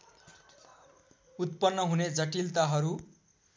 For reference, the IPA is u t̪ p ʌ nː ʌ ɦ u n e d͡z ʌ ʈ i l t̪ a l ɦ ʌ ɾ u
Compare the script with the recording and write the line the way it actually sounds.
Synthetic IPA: u t̪ p ʌ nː ʌ ɦ u n e d͡z ʌ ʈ i l t̪ a ɦ ʌ ɾ u